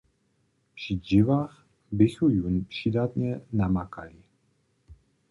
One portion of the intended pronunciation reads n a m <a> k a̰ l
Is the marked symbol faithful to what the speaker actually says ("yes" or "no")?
yes